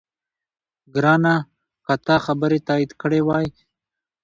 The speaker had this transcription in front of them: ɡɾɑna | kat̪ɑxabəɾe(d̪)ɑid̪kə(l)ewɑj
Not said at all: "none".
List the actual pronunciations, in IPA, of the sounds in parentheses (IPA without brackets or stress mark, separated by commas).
t̪, ɽ